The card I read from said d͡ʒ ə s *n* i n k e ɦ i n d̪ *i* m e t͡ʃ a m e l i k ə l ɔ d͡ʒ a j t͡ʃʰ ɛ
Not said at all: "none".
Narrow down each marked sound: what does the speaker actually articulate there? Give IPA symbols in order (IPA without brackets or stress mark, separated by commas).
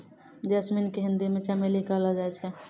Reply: m, i